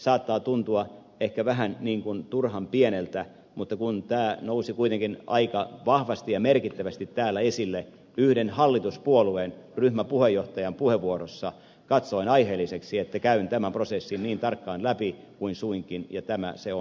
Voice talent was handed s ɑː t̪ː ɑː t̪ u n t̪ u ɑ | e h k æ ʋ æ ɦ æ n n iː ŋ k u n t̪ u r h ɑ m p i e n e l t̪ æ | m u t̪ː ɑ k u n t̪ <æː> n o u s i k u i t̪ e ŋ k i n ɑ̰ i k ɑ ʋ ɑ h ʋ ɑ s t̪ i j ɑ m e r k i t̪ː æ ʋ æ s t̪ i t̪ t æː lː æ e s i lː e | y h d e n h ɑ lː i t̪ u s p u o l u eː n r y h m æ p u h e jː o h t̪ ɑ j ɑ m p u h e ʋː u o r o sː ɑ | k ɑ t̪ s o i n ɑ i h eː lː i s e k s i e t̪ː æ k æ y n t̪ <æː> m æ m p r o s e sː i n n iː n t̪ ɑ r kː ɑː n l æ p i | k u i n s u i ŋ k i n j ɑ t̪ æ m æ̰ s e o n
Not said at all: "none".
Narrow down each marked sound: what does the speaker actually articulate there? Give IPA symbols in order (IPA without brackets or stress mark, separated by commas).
æː, æ